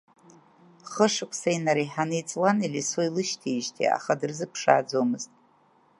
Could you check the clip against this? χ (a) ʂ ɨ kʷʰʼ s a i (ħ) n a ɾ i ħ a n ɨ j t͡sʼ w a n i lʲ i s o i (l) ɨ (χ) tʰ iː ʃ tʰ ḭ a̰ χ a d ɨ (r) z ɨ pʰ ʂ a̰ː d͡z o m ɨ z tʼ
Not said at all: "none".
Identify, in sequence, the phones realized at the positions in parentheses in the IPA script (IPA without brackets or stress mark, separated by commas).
ə, none, l, ʃ, r